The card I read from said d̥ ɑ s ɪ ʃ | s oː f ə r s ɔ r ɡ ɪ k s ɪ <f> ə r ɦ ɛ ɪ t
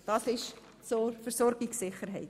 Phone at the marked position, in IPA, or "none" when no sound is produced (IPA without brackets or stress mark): χ